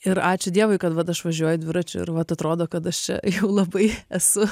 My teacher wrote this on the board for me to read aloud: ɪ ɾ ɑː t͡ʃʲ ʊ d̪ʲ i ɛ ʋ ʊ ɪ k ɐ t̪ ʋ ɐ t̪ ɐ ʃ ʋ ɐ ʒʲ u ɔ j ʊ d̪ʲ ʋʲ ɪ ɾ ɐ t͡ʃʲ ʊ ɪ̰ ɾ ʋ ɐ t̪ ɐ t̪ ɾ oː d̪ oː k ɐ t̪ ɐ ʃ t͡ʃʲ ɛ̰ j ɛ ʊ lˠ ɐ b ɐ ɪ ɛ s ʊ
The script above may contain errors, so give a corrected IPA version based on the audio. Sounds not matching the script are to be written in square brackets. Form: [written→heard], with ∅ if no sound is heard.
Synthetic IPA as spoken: ɪ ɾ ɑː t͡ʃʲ ʊ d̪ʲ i ɛ ʋ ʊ ɪ k ɐ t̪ ʋ ɐ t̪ ɐ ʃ ʋ ɐ ʒʲ u ɔ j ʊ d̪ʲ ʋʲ ɪ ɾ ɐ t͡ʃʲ ʊ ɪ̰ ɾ ʋ ɐ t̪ ɐ t̪ ɾ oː d̪ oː k ɐ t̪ ɐ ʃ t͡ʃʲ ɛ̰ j ɛ ʊ lˠ ɐ b ɐ ɪ ɛ s ʊ